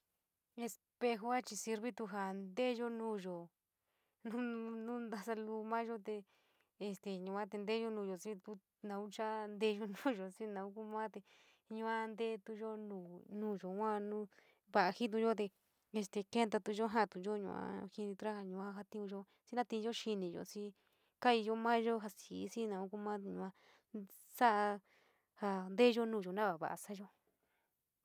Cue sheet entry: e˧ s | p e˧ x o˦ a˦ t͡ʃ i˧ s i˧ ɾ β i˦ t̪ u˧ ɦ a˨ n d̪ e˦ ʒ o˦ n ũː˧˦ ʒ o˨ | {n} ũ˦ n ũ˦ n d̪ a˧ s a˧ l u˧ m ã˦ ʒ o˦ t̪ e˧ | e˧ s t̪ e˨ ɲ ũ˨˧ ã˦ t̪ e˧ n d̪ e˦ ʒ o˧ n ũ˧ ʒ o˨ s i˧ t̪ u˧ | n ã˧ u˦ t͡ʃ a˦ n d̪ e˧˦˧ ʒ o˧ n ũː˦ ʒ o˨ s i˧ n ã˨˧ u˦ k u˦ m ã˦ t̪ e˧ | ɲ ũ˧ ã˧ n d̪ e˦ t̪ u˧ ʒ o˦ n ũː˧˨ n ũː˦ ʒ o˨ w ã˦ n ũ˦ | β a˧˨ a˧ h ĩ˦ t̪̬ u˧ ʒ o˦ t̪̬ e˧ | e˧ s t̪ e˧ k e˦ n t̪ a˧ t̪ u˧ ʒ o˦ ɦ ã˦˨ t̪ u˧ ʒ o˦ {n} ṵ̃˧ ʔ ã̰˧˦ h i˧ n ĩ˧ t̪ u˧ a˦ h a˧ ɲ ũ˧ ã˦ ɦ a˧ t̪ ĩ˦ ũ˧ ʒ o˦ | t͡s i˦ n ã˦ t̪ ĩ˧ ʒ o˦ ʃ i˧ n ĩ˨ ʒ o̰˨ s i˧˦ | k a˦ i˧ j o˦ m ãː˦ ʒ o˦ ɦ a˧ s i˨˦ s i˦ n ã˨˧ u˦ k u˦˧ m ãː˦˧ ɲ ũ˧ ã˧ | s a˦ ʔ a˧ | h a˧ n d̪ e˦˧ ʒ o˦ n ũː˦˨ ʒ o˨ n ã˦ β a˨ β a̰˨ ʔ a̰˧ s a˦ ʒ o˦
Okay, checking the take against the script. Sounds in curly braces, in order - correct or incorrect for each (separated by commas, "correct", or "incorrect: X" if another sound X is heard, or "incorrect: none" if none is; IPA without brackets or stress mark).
correct, incorrect: ɲ